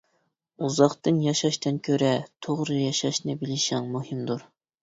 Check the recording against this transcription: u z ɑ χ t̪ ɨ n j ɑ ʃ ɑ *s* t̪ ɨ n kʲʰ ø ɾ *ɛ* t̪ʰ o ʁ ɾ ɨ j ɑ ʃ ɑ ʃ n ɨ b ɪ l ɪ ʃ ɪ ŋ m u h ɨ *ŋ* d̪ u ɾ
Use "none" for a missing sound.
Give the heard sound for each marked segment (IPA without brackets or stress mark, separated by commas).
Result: ʃ, ɛ, m